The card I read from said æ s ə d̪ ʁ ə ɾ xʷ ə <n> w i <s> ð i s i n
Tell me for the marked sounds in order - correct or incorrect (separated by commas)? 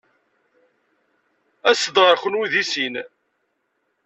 correct, incorrect